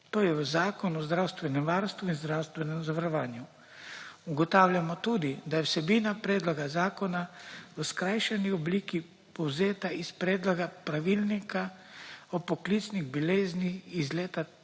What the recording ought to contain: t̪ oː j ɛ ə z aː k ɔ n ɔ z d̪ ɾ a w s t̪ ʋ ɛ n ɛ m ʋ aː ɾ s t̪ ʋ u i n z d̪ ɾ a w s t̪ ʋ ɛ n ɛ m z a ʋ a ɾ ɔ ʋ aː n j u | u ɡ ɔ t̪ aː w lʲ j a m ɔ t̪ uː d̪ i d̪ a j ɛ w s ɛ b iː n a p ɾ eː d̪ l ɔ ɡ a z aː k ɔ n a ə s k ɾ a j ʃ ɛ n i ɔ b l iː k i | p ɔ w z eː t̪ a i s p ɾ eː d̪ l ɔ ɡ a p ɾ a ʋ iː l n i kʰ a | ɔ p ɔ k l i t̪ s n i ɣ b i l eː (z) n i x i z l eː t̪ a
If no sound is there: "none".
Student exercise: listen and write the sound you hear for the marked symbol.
z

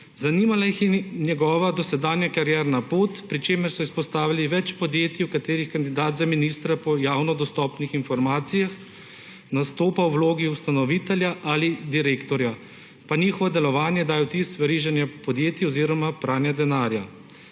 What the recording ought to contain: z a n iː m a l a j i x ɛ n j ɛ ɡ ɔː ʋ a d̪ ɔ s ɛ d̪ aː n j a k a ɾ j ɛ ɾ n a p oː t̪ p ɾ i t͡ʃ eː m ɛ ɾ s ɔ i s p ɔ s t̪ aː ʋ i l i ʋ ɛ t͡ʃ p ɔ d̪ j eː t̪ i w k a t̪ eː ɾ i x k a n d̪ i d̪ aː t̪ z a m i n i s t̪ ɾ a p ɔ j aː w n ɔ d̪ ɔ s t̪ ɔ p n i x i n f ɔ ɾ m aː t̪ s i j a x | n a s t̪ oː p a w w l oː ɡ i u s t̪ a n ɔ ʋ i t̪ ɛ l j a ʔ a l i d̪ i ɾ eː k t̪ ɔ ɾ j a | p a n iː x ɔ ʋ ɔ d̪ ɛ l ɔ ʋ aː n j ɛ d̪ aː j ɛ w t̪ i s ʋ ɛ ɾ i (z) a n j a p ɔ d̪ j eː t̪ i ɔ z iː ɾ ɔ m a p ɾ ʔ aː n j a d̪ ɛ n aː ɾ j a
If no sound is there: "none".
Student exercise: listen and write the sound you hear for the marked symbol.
ʒ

